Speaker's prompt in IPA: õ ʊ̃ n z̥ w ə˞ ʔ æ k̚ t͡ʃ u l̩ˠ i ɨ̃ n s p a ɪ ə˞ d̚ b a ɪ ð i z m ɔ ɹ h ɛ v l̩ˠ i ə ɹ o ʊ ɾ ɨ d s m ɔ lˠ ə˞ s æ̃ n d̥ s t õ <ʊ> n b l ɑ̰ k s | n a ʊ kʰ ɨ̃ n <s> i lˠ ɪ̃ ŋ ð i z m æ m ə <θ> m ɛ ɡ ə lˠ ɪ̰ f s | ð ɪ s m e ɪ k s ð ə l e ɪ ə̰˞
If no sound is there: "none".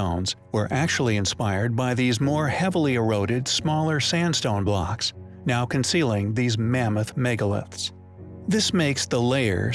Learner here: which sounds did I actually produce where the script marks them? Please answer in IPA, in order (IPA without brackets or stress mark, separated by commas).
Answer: ʊ̃, s, θ